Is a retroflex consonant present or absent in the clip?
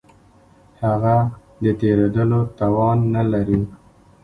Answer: absent